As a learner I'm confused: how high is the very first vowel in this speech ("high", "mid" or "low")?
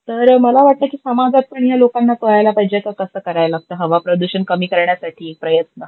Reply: mid